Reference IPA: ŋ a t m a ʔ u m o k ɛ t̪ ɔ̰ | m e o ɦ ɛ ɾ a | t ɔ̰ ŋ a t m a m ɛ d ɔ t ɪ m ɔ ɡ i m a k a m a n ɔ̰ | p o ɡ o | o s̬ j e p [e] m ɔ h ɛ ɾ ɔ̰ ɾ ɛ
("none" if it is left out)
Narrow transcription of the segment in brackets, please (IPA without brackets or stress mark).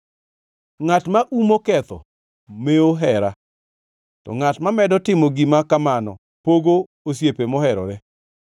e